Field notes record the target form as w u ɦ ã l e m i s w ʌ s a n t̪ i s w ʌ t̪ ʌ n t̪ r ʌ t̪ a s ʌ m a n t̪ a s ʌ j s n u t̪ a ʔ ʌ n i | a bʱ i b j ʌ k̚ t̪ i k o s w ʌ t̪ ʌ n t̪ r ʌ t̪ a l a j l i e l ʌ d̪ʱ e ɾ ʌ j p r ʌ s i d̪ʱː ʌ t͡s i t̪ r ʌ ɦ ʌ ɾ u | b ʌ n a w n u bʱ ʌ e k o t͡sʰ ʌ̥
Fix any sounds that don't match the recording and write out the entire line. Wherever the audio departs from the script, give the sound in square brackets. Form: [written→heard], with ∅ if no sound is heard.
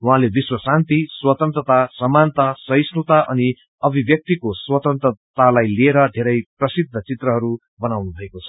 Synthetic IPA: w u ɦ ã l e [m→b] i s w ʌ s a n t̪ i s w ʌ t̪ ʌ n t̪ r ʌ t̪ a s ʌ m a n t̪ a s ʌ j s n u t̪ a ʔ ʌ n i | [a→ʌ] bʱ i b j ʌ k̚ t̪ i k o s w ʌ t̪ ʌ n t̪ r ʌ t̪ a l a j l i e [l→ɾ] ʌ d̪ʱ e ɾ ʌ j p r ʌ s i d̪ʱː ʌ t͡s i t̪ r ʌ ɦ ʌ ɾ u | b ʌ n a w n u bʱ ʌ e k o t͡sʰ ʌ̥